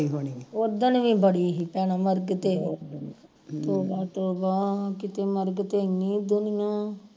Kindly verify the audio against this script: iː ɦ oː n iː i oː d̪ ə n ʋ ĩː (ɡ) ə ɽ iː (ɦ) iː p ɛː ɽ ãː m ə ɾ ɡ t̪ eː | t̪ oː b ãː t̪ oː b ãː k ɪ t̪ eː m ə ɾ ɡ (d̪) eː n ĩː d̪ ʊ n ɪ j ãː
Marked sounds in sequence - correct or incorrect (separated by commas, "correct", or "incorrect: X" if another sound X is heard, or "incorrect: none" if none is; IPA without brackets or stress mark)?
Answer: incorrect: b, correct, incorrect: t̪